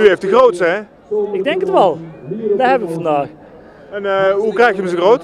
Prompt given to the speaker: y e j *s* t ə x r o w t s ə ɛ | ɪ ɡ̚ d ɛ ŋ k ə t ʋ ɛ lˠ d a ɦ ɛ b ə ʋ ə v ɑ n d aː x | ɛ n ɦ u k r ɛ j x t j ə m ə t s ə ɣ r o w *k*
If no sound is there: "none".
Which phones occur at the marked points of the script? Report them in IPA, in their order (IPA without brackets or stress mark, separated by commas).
f, t